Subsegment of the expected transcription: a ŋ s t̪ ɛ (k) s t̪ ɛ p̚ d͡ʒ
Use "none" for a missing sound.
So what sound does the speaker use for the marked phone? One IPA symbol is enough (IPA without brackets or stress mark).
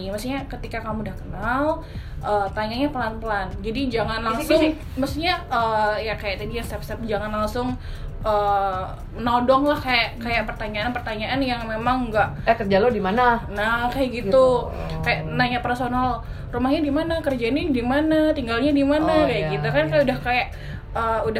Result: p